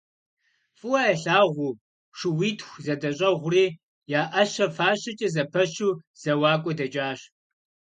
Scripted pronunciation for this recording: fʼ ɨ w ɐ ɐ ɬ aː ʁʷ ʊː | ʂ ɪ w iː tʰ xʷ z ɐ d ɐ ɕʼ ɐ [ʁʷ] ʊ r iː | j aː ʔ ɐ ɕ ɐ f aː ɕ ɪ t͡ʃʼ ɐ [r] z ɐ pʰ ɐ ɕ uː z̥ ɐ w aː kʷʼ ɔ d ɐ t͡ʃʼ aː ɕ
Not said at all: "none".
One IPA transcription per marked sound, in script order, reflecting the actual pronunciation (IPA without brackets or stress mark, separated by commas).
ʁʷ, none